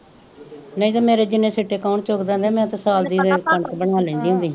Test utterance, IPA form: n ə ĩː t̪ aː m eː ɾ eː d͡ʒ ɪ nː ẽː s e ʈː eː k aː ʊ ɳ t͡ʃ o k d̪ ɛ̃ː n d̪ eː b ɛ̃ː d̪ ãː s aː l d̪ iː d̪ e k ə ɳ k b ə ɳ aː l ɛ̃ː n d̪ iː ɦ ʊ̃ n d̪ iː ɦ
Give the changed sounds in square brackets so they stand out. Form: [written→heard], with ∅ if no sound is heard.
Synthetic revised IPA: n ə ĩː t̪ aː m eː ɾ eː d͡ʒ ɪ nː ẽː s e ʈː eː k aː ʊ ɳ t͡ʃ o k d̪ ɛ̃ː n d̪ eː [b→m] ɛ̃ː [d̪→t̪] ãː s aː l d̪ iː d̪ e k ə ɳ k b ə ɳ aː l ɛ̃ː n d̪ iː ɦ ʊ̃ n d̪ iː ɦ